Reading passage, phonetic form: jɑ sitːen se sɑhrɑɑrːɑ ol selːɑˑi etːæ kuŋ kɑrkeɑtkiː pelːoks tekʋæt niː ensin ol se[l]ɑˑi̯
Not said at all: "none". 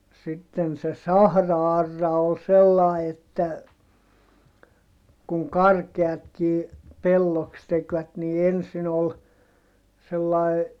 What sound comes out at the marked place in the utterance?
lː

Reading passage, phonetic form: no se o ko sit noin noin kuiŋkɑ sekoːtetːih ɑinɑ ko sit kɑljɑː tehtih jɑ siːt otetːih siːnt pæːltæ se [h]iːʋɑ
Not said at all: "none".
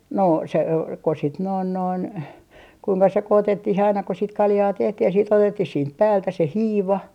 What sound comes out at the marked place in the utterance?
h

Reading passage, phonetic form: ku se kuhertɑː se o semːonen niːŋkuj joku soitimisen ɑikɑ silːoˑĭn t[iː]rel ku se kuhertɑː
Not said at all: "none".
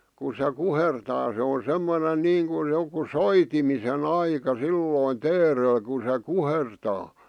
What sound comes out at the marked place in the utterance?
eː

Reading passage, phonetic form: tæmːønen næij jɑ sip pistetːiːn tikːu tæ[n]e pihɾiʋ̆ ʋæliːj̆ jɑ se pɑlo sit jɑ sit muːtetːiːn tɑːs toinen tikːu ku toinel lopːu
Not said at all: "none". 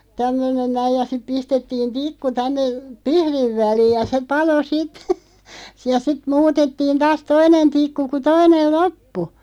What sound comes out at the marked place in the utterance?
nː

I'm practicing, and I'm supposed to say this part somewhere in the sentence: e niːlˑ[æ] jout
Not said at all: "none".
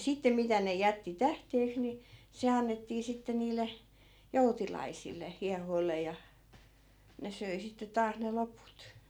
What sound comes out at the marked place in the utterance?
e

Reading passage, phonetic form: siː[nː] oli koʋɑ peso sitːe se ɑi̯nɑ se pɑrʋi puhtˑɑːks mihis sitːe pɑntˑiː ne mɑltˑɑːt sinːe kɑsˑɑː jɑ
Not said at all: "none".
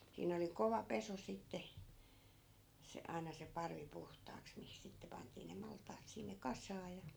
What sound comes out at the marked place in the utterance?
n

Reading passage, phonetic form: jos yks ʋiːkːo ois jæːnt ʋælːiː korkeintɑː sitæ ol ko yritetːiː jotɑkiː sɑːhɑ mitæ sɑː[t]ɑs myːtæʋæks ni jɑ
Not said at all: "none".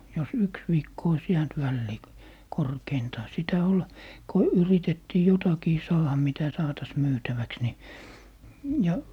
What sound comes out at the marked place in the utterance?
t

